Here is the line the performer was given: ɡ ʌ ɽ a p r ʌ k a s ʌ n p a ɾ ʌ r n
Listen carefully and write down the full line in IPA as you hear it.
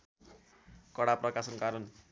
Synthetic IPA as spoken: k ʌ ɽ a p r ʌ k a s ʌ n k a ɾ ʌ n